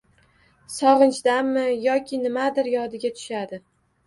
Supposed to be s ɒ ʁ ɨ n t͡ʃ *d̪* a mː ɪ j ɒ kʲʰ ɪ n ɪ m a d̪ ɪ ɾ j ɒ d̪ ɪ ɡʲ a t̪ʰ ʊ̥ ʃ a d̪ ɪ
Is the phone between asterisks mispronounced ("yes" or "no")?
no